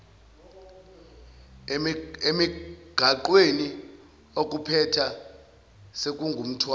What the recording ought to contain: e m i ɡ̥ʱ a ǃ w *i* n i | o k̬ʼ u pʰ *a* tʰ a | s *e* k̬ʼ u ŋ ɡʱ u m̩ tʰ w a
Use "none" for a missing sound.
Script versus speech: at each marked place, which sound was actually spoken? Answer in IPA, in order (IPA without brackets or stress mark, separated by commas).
e, ɛ, e